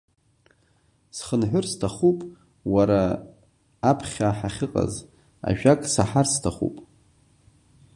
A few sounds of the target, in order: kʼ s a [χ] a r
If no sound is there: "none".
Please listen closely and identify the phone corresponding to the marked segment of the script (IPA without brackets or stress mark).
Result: ħ